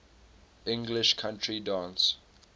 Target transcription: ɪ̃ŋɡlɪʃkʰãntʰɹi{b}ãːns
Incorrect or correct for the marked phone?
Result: incorrect: d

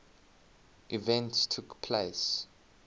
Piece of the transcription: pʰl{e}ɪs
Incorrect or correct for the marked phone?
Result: correct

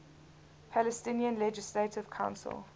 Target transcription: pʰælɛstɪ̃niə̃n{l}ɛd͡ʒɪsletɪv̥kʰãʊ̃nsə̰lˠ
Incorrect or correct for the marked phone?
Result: correct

